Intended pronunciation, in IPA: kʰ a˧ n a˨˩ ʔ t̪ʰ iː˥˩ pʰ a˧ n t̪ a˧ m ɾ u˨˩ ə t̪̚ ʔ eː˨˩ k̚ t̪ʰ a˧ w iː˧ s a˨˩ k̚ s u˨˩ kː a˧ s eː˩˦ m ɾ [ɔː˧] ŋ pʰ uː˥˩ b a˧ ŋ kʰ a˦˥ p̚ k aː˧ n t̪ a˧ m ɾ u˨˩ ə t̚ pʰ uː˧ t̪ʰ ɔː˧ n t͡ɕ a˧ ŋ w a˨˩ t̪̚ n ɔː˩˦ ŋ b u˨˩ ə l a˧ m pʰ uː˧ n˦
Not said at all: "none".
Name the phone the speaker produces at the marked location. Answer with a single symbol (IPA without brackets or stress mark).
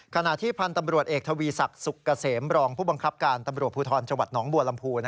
ɔː˧